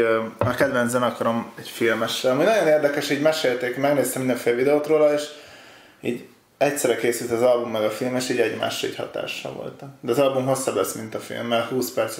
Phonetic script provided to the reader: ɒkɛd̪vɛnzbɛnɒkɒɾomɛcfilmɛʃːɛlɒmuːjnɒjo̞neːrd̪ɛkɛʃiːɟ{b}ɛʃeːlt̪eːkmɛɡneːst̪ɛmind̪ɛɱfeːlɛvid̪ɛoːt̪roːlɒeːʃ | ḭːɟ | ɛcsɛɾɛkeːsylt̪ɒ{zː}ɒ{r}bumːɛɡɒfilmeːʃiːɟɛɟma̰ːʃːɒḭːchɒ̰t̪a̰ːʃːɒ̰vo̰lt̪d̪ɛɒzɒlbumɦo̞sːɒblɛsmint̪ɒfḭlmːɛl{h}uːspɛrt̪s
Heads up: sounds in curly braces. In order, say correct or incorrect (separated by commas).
incorrect, incorrect, incorrect, correct